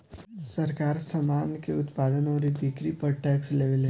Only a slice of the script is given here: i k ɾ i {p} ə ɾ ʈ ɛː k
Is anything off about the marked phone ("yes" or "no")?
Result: no